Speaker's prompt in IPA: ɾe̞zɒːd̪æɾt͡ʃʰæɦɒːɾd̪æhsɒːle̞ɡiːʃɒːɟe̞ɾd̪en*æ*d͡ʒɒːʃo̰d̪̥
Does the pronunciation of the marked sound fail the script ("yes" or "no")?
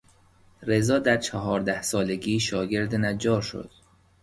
no